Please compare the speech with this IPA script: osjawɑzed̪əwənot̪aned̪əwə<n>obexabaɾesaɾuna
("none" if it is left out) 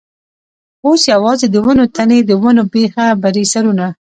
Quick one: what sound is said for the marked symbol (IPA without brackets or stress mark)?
n